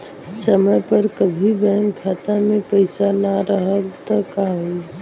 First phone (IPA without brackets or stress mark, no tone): s